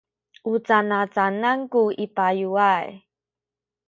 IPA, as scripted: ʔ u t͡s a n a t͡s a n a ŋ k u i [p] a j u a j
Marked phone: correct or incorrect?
correct